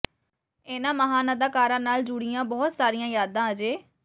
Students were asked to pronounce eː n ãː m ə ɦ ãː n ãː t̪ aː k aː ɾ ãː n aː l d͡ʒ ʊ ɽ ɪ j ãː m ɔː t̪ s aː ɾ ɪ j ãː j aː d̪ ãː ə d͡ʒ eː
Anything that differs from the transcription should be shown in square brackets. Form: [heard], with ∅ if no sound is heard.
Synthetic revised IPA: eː n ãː m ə ɦ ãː n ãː [d̪] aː k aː ɾ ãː n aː l d͡ʒ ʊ ɽ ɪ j ãː [b] ɔː t̪ s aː ɾ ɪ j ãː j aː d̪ ãː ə d͡ʒ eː